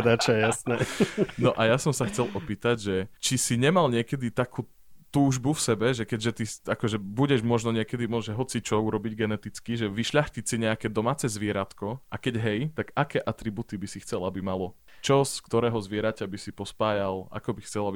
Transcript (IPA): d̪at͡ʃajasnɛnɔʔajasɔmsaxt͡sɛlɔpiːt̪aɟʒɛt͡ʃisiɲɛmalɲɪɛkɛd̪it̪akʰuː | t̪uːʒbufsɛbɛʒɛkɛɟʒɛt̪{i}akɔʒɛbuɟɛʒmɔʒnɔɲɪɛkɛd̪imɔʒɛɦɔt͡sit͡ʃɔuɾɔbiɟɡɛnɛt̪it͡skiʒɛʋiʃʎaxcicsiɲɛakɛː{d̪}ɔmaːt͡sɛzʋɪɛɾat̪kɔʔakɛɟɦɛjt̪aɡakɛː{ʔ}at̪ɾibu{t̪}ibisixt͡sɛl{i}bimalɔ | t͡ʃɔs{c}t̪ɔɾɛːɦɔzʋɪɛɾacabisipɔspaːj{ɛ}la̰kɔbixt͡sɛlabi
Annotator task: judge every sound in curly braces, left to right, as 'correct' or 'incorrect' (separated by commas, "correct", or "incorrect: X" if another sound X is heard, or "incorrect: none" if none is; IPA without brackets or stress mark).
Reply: correct, correct, correct, correct, incorrect: a, incorrect: k, incorrect: a